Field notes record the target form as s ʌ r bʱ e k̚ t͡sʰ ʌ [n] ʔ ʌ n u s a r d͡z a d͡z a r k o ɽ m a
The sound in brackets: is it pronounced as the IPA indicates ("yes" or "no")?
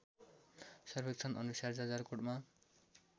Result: yes